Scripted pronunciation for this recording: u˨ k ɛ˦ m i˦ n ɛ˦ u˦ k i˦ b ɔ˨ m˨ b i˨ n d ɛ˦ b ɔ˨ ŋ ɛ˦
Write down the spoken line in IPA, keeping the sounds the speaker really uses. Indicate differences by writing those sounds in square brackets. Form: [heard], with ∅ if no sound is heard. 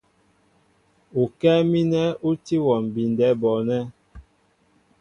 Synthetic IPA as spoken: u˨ k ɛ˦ m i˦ n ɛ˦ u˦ [t] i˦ [w] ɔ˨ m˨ b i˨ n d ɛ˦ b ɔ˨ [n] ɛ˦